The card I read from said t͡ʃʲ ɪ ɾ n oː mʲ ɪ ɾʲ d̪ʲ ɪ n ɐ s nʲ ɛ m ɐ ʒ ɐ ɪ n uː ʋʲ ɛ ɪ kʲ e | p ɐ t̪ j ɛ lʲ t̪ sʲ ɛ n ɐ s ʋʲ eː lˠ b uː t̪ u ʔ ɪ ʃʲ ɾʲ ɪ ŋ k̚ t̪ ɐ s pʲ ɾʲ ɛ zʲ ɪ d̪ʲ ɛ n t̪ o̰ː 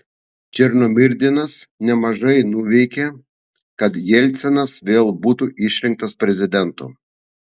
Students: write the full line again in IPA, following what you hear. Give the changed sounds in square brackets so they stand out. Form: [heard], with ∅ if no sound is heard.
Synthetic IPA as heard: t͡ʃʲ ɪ ɾ n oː mʲ ɪ ɾʲ d̪ʲ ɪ n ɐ s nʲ ɛ m ɐ ʒ ɐ ɪ n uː ʋʲ ɛ ɪ kʲ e | [k] ɐ t̪ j ɛ lʲ t̪ sʲ ɛ n ɐ s ʋʲ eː lˠ b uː t̪ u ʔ ɪ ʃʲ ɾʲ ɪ ŋ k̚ t̪ ɐ s pʲ ɾʲ ɛ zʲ ɪ d̪ʲ ɛ n t̪ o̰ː